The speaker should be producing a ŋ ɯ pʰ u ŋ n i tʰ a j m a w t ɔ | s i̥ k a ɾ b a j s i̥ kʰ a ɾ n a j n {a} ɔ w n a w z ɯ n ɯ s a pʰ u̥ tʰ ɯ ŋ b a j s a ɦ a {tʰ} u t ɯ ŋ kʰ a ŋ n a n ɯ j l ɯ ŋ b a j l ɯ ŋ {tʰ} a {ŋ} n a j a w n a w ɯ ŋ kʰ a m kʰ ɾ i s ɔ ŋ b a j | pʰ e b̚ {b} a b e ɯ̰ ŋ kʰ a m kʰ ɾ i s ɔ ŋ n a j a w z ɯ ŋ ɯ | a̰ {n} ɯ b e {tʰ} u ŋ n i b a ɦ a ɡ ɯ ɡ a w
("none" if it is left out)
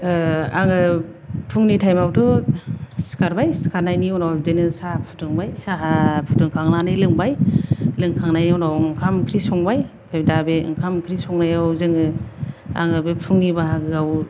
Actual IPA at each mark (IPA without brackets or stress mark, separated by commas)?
i, pʰ, kʰ, ŋ, d, ŋ, pʰ